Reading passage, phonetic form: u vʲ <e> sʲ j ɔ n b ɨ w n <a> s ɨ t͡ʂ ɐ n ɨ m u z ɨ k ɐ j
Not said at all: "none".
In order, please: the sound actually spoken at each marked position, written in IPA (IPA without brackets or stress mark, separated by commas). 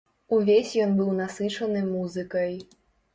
e, a